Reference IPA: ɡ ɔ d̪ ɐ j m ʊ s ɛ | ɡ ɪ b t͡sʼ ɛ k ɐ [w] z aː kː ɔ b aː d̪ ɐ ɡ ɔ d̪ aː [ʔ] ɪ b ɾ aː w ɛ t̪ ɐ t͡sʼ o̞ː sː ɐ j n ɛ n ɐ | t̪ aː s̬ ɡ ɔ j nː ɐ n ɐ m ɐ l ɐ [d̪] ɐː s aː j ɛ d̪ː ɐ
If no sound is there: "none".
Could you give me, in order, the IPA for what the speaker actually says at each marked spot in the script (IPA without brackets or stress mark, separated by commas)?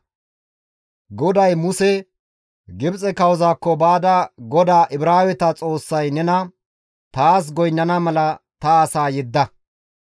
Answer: w, ʔ, t̪